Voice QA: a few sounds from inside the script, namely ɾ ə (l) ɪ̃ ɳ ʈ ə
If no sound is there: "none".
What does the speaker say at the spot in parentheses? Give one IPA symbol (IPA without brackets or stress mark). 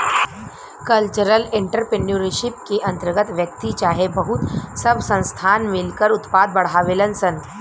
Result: l